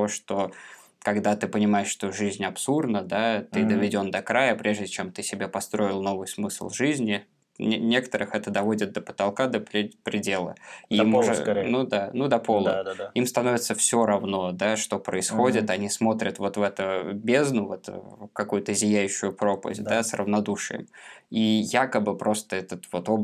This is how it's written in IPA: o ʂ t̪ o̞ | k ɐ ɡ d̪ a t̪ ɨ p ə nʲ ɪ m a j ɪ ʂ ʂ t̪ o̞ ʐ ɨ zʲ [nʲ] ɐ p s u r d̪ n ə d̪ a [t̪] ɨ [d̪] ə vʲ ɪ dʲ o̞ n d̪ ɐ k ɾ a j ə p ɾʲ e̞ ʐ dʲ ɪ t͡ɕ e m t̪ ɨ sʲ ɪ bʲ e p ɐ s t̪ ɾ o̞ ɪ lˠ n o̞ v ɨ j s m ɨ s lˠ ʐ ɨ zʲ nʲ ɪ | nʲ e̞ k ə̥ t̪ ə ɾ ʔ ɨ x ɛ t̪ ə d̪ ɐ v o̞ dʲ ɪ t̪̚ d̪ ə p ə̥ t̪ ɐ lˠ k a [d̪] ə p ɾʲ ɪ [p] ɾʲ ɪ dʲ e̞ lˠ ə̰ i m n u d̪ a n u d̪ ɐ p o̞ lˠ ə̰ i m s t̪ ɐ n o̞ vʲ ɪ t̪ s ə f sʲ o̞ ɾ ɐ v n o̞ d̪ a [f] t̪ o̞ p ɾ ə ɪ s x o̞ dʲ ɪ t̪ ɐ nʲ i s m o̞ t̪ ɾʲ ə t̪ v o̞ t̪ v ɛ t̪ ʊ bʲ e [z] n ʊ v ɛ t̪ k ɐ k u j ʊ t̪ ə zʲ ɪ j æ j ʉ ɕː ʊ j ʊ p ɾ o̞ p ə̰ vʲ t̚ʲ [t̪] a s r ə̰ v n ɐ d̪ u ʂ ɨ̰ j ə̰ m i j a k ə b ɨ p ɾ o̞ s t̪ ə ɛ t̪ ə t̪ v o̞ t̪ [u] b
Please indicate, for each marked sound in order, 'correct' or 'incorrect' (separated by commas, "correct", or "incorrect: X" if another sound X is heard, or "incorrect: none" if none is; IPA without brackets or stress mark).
correct, correct, correct, correct, correct, incorrect: ʂ, correct, incorrect: d̪, incorrect: o